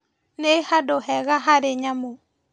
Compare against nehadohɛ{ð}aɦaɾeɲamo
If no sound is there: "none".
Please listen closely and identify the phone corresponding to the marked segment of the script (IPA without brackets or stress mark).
ɣ